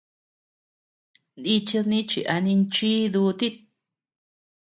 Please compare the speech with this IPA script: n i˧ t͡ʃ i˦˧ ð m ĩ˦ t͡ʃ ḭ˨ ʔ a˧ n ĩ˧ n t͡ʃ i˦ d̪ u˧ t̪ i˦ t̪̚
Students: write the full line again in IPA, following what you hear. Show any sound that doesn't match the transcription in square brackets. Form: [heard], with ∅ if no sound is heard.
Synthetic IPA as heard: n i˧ t͡ʃ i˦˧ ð [n] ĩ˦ t͡ʃ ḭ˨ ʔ a˧ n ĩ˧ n t͡ʃ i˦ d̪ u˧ t̪ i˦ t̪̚